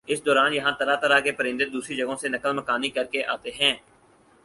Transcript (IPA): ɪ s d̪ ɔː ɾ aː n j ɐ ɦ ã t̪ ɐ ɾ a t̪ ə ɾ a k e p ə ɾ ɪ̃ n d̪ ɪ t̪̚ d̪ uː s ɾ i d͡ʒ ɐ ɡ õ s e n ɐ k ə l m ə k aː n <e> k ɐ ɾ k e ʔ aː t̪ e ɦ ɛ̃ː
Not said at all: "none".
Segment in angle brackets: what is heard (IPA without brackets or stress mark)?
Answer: i